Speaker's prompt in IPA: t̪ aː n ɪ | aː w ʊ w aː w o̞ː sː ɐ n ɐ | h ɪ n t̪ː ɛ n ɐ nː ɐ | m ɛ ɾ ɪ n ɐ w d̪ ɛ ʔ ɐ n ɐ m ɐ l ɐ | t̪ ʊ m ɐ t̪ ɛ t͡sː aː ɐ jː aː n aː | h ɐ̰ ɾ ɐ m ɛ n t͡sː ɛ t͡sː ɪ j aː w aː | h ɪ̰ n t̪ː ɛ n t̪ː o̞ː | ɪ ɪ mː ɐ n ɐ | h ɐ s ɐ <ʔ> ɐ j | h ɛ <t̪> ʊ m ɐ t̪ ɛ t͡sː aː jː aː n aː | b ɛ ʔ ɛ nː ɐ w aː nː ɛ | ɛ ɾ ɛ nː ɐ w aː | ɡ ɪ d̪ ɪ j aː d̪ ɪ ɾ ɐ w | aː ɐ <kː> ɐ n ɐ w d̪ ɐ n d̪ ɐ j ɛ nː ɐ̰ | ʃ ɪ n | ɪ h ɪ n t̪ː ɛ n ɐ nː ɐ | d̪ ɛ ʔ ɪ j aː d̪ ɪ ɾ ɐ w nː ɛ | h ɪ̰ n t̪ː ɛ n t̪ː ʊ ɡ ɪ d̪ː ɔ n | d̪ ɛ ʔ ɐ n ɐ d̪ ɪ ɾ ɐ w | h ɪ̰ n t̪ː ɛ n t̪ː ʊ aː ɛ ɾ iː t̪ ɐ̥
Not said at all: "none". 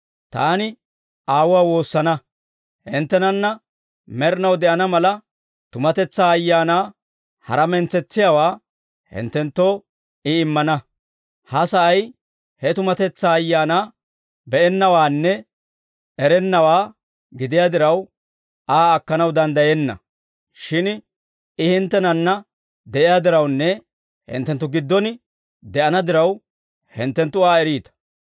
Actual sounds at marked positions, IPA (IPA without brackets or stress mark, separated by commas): ʔ, t̪, kː